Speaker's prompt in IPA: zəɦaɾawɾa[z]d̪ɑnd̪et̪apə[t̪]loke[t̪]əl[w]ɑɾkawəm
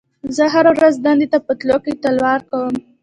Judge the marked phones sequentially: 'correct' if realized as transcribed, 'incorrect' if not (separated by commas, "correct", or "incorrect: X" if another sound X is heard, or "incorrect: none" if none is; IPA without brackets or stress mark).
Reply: correct, correct, correct, correct